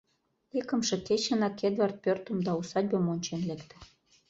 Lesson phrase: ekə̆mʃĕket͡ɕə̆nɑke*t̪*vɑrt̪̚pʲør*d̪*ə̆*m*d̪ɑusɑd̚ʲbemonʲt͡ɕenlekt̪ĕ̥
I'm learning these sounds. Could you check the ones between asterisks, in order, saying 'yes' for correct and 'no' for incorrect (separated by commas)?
no, no, yes